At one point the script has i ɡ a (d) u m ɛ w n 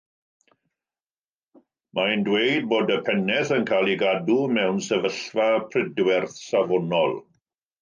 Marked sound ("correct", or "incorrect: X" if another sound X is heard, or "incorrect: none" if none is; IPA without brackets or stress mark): correct